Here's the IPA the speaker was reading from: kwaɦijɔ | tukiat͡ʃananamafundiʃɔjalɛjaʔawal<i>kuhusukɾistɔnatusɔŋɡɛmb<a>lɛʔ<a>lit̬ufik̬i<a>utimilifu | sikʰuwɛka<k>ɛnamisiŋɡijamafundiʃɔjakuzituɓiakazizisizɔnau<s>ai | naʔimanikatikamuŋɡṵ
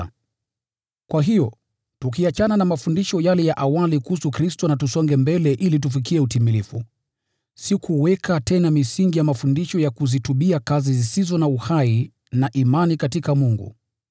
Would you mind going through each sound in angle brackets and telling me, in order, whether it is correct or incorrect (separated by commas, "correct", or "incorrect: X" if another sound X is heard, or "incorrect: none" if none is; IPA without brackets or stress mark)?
correct, incorrect: ɛ, incorrect: i, incorrect: ɛ, incorrect: t, incorrect: h